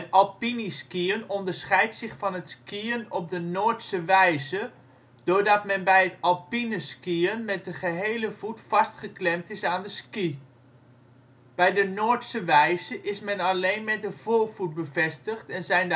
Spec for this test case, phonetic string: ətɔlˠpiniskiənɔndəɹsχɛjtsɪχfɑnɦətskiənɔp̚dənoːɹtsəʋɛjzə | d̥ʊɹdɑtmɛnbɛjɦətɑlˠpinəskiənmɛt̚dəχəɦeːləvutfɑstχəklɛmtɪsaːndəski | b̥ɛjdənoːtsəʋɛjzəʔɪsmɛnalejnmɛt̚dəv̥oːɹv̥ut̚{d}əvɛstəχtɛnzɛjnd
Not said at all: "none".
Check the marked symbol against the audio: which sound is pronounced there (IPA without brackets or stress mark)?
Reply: b